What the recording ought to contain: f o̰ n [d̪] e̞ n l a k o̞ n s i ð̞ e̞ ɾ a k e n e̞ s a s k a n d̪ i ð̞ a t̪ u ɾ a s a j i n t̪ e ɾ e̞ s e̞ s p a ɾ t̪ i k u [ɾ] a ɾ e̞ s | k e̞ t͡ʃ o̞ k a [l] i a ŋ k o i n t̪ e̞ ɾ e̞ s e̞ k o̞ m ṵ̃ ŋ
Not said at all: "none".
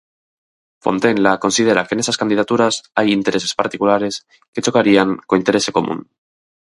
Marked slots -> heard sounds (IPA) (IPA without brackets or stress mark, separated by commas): t̪, l, ɾ